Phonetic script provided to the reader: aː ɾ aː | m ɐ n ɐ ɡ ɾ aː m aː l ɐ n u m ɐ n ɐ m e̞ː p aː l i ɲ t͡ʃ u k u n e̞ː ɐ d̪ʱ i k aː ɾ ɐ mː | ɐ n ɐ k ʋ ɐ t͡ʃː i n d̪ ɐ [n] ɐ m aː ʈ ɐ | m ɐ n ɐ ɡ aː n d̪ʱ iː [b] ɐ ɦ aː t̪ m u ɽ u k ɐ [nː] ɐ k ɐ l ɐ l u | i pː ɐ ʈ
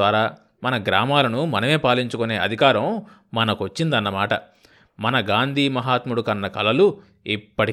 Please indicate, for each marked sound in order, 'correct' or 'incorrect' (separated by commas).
incorrect, incorrect, correct